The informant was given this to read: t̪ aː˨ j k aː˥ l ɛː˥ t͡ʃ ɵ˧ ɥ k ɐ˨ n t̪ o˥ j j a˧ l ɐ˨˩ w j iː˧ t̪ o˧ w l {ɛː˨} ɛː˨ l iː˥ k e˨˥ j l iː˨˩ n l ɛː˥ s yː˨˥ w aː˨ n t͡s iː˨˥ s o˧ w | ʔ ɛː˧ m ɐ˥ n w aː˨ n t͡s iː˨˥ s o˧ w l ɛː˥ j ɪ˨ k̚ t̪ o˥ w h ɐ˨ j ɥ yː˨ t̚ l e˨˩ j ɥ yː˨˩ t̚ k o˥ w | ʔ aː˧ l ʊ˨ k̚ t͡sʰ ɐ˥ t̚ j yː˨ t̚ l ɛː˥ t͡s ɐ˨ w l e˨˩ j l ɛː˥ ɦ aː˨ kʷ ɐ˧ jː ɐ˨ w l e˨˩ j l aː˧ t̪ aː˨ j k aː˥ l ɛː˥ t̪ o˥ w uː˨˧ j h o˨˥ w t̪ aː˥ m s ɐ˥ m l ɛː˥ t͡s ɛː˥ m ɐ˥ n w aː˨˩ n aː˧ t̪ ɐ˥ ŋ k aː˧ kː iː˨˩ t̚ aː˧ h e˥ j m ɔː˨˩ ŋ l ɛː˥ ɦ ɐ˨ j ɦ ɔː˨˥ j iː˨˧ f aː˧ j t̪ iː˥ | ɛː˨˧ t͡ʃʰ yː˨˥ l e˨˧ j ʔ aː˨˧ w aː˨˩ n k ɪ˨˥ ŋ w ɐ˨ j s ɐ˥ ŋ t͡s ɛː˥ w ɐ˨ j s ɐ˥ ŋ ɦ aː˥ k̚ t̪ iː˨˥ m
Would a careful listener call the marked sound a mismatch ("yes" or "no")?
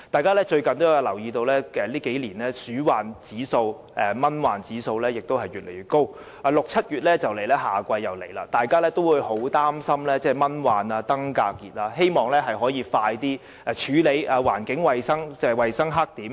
yes